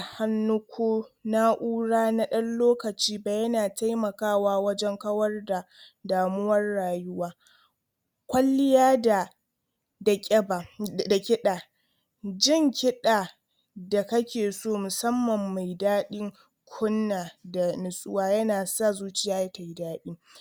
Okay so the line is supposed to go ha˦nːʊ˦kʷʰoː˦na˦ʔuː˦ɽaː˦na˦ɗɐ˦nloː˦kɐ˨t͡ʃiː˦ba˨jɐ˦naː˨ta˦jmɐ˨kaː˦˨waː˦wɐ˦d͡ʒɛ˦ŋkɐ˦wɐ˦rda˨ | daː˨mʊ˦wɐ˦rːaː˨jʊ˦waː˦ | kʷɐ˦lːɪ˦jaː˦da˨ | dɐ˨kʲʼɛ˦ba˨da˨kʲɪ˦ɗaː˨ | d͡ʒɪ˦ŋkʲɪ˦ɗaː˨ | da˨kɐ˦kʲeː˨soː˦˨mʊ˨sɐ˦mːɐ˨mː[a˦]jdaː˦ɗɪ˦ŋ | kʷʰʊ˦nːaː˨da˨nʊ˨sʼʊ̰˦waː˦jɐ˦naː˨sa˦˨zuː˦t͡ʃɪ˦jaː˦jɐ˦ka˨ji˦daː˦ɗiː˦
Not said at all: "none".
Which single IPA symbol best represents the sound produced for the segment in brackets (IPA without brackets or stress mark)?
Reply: a˨